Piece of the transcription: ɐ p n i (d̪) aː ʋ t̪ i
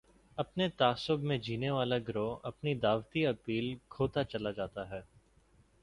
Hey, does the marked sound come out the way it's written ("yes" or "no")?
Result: yes